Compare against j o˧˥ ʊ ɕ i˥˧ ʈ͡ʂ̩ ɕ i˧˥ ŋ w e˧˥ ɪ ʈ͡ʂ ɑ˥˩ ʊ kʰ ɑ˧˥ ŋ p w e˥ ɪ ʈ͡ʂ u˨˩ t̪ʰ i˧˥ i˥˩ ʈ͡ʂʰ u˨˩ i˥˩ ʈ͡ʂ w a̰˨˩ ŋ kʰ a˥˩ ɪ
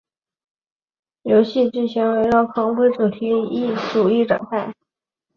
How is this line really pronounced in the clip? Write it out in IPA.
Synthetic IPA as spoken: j o˧˥ ʊ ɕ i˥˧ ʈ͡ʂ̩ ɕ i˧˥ ŋ w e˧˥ ɪ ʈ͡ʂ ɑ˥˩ ʊ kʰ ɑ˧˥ ŋ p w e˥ ɪ ʈ͡ʂ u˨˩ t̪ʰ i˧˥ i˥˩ ʈ͡ʂ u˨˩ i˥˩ ʈ͡ʂ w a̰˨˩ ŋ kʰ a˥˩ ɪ